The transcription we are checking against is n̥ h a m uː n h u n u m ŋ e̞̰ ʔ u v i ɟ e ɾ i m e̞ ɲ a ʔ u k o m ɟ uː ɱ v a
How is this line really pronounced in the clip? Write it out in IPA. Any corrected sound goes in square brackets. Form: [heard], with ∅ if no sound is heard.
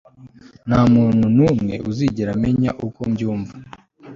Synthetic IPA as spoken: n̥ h a m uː n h u n u m ŋ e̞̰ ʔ u [z] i ɟ e ɾ [a] m e̞ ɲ a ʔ u k o m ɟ uː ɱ v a

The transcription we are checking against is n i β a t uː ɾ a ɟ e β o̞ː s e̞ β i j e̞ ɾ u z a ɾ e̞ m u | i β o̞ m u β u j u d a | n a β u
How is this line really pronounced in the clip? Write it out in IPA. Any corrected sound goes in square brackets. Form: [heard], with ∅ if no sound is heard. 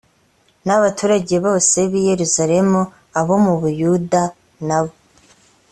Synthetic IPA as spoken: n [a] β a t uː ɾ a ɟ e β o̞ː s e̞ β i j e̞ ɾ u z a ɾ e̞ m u | [a] β o̞ m u β u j u d a | n a β [o]

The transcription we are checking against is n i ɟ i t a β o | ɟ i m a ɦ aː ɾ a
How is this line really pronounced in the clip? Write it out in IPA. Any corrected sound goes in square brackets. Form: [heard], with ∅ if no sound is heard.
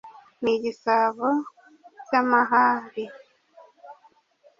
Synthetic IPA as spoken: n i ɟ i [s] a β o | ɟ [a] m a ɦ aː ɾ [i]

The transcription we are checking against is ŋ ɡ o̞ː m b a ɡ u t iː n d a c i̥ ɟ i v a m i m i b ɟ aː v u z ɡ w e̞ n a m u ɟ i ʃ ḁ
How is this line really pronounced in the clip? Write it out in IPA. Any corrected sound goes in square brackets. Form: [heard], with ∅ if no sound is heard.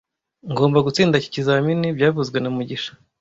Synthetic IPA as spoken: ŋ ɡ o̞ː m b a ɡ u [t͡s] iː n d a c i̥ [c] i [z] a m i [n] i b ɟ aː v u z ɡ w e̞ n a m u ɟ i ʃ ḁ

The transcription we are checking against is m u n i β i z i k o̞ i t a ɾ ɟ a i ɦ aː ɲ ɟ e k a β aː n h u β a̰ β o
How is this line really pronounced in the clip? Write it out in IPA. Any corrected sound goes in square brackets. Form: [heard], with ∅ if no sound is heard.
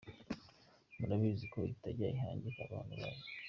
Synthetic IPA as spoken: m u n [a] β i z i k o̞ i t a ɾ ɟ a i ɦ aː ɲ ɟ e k a β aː n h u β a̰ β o

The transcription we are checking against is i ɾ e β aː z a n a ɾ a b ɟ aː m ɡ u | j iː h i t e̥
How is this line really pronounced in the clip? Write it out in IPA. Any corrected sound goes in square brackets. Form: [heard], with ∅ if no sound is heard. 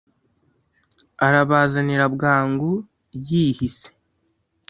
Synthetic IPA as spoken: [a] ɾ [a] β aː z a n [i] ɾ a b [ɡ] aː [ŋ] ɡ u | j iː h i [s] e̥

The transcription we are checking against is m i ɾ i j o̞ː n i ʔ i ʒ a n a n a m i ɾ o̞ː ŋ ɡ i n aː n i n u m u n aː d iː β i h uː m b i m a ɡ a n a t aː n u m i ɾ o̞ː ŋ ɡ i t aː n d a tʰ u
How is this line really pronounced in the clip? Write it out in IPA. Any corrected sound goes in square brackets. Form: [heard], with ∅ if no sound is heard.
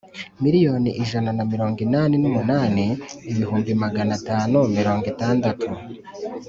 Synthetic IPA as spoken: m i ɾ i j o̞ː n i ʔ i ʒ a n a n a m i ɾ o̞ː ŋ ɡ i n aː n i n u m u n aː [n] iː β i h uː m b i m a ɡ a n a t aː n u m i ɾ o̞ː ŋ ɡ i t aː n d a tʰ u

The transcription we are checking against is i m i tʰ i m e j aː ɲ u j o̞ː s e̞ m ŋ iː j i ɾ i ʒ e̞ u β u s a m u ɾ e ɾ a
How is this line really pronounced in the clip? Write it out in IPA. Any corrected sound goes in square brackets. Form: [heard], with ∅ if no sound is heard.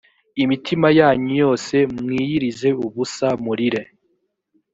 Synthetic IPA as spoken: i m i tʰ i m [a] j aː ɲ u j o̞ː s e̞ m ŋ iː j i ɾ i [z] e̞ u β u s a m u ɾ [i] ɾ [e]

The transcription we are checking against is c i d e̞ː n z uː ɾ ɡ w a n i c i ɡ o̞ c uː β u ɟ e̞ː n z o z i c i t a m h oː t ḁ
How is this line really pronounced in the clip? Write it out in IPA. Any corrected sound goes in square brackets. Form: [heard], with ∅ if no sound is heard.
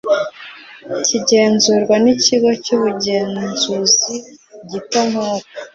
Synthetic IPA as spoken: c i [ɟ] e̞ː n z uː ɾ ɡ w a n i c i ɡ o̞ c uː β u ɟ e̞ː n z [u] z i [ɟ] i t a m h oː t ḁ

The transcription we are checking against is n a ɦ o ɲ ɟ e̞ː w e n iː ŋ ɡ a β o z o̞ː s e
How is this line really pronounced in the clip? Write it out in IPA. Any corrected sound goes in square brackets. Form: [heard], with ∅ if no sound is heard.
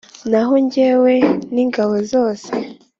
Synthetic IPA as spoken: n a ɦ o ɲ ɟ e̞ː w e n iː ŋ ɡ a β o z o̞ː s e

